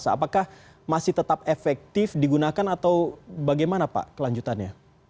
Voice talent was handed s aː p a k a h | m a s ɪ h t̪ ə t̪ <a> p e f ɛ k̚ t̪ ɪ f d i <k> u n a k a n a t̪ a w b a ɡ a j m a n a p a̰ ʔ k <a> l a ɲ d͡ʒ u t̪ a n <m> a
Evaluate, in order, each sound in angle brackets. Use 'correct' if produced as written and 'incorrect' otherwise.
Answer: correct, incorrect, incorrect, incorrect

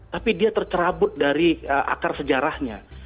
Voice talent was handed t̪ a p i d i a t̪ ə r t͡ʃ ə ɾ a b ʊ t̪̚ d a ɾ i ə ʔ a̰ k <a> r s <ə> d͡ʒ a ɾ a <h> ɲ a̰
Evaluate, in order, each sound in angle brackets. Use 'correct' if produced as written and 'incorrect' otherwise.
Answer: correct, correct, correct

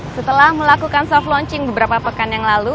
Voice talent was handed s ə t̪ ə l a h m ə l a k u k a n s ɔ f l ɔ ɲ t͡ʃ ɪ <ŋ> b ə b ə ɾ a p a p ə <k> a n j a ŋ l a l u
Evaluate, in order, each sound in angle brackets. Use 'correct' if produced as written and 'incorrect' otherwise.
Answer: correct, correct

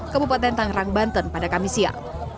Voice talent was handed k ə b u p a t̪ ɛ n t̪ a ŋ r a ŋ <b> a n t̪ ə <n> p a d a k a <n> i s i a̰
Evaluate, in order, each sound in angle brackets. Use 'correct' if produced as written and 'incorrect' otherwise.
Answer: correct, correct, incorrect

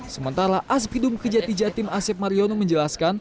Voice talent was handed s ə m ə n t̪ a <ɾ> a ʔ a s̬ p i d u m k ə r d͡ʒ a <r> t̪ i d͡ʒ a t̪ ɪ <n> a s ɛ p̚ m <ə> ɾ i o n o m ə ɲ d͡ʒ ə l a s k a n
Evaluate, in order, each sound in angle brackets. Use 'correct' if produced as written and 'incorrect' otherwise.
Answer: correct, incorrect, incorrect, incorrect

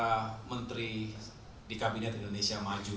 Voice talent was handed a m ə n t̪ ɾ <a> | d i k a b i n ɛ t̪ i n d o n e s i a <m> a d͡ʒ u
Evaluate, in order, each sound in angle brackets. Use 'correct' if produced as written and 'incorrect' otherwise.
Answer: incorrect, correct

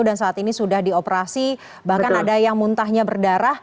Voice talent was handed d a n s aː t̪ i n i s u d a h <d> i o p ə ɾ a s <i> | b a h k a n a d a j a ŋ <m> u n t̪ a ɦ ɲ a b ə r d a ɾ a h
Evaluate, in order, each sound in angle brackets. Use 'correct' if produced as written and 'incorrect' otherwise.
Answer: correct, correct, correct

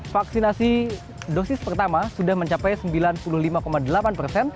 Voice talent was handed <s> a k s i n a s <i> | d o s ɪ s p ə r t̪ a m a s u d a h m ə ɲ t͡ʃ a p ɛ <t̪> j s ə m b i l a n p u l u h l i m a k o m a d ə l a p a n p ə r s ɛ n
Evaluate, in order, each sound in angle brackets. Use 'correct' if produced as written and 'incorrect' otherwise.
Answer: incorrect, correct, incorrect

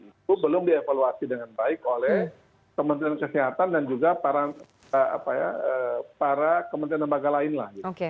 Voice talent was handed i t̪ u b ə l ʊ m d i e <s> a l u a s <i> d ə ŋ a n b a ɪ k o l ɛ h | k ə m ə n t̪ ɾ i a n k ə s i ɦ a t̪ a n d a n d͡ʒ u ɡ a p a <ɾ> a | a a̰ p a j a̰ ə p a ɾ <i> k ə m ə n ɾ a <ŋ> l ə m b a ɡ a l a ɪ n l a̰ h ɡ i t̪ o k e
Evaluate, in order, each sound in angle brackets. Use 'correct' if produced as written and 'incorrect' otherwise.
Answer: incorrect, correct, correct, incorrect, incorrect

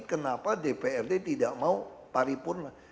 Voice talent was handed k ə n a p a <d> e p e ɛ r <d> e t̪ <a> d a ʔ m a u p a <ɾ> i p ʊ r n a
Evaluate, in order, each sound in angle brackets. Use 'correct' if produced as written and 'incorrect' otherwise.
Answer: correct, correct, incorrect, correct

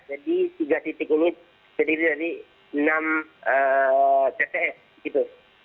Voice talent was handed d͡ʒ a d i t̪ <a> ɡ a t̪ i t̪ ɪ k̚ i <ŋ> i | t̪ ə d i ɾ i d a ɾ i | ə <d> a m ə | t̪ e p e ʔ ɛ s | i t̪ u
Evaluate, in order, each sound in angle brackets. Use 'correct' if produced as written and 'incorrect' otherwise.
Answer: incorrect, incorrect, incorrect

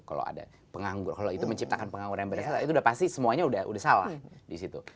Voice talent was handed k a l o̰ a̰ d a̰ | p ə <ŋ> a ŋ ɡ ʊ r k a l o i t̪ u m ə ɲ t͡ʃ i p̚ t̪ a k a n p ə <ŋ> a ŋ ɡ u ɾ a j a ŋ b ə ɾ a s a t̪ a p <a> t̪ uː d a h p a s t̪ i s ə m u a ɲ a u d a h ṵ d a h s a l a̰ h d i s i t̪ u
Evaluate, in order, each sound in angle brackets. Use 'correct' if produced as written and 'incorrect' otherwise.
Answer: correct, correct, incorrect

